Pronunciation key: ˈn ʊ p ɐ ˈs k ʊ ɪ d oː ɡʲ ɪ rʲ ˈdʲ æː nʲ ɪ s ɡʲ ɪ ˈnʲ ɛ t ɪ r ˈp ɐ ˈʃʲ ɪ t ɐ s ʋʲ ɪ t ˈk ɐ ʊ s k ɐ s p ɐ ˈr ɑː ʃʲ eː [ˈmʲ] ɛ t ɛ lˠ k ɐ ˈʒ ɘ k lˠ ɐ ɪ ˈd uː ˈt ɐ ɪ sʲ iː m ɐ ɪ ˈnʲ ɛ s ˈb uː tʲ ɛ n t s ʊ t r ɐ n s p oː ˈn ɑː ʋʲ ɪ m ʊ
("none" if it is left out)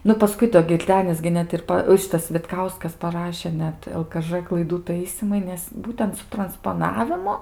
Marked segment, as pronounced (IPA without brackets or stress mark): nʲ